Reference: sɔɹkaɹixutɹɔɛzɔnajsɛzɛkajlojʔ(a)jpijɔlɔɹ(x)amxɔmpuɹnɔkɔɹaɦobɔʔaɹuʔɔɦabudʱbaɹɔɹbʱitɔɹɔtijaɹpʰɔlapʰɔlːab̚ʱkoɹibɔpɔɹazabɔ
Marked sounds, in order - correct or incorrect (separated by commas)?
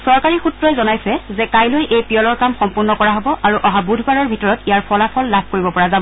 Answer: incorrect, incorrect